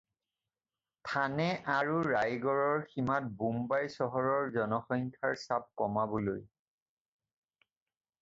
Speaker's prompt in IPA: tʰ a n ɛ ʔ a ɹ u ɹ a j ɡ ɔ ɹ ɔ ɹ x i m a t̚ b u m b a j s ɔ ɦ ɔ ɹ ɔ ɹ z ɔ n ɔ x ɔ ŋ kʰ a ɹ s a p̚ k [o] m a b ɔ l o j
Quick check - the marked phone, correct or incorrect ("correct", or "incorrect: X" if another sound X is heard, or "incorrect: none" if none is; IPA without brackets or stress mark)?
incorrect: ɔ